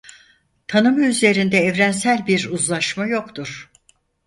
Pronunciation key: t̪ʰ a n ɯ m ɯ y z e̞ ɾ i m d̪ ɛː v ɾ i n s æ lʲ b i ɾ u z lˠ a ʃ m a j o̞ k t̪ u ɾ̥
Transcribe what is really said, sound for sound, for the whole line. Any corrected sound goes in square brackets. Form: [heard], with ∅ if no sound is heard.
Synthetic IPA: t̪ʰ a n ɯ m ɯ y z e̞ ɾ i [n] d̪ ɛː v ɾ [æ] n s æ lʲ b i ɾ u z lˠ a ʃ m a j o̞ k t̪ u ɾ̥